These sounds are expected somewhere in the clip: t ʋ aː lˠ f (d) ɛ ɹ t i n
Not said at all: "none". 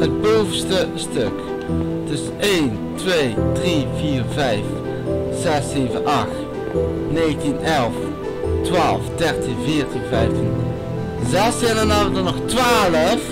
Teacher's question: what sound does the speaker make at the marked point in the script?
d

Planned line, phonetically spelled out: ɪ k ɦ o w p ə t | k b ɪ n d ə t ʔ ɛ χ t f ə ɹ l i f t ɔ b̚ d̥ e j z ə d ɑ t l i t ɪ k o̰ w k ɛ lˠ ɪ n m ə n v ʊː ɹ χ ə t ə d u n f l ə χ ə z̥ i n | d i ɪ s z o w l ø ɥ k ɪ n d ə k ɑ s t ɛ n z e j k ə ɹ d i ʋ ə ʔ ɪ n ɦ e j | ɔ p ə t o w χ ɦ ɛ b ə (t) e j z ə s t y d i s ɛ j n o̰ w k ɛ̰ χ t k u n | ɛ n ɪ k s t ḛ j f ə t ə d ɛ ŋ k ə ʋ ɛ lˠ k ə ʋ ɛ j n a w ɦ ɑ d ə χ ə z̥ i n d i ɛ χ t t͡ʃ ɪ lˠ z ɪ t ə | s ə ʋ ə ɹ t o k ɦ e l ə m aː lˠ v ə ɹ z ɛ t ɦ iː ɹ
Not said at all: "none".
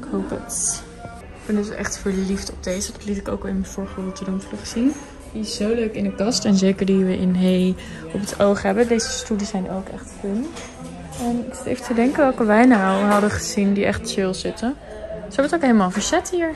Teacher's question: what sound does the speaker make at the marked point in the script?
d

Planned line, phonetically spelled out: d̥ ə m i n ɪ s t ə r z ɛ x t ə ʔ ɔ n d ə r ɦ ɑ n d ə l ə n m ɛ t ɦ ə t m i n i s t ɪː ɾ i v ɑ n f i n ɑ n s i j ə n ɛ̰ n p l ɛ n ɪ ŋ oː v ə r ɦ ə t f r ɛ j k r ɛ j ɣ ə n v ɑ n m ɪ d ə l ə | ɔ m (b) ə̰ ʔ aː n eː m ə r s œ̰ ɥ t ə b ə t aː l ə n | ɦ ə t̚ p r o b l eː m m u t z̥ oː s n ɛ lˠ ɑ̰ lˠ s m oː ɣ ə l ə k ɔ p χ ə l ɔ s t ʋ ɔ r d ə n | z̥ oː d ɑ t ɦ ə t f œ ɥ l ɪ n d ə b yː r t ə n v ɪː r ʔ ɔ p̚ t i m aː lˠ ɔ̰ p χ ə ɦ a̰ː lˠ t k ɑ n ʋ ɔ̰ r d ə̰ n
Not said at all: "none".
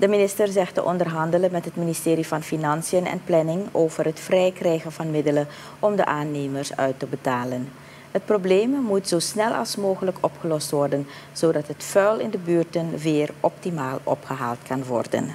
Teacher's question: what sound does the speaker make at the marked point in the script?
d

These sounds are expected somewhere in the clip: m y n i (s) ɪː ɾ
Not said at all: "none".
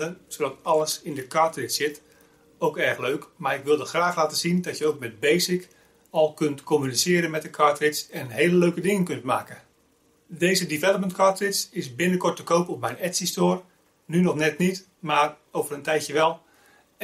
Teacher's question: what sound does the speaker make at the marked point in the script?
s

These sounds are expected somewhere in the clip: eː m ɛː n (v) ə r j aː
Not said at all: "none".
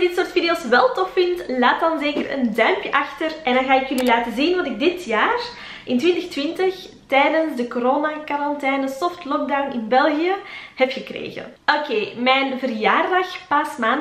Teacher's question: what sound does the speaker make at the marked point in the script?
v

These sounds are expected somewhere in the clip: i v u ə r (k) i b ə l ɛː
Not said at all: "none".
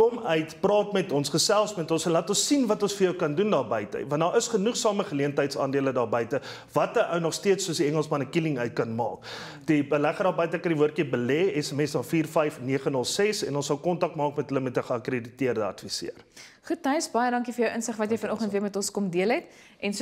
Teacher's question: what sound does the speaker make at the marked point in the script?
k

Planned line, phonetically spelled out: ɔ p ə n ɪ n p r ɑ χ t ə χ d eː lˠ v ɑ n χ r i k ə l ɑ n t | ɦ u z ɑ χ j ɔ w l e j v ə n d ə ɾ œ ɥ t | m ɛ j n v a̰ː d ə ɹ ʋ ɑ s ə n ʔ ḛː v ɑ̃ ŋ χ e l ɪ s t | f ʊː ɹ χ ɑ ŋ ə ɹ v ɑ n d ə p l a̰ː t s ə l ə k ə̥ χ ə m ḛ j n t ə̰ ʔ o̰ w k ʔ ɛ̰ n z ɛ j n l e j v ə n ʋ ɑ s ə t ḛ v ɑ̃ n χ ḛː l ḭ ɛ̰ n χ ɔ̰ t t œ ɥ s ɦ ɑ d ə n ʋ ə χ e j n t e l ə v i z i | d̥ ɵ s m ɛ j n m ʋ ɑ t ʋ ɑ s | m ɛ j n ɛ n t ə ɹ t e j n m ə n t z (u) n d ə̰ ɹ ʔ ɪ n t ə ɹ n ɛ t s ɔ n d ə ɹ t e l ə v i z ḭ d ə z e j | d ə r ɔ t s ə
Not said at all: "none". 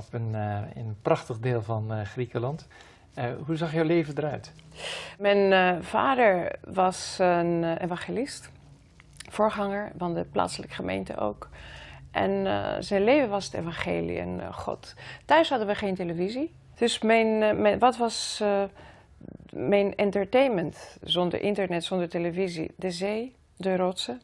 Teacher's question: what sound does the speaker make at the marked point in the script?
ɔ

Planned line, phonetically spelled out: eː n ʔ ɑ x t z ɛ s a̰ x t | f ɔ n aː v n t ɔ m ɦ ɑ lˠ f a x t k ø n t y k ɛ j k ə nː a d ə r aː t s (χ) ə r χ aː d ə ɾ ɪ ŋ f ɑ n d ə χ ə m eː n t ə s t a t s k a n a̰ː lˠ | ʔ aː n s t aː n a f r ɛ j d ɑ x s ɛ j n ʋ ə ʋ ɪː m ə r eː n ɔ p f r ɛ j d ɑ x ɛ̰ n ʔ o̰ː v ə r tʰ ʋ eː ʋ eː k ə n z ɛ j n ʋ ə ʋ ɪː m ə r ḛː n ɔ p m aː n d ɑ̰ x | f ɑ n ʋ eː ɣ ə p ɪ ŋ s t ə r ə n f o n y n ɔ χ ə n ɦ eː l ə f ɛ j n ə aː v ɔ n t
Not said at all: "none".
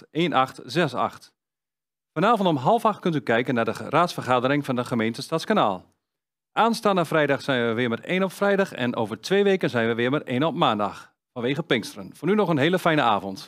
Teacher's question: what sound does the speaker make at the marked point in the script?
f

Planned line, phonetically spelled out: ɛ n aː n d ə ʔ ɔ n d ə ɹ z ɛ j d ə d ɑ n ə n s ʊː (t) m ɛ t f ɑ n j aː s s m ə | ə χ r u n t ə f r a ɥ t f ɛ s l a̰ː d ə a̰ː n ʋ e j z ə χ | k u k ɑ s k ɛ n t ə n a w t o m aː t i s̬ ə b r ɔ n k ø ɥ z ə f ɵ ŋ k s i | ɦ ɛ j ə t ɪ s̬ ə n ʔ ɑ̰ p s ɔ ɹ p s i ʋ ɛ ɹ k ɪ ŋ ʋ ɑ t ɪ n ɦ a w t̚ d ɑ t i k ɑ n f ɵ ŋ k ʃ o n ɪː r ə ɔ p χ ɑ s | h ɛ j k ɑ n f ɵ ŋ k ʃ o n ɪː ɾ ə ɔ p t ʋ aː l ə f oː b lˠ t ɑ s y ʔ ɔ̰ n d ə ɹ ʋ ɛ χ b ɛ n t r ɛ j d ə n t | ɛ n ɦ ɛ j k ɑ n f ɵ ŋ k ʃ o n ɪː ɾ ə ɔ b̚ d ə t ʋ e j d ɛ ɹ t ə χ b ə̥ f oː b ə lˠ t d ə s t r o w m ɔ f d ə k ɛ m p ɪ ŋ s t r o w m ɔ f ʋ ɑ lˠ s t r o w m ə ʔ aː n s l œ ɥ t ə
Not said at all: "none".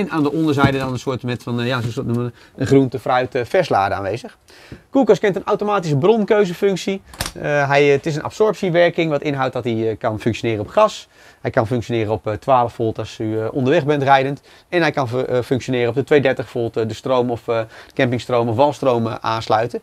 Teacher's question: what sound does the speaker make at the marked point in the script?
t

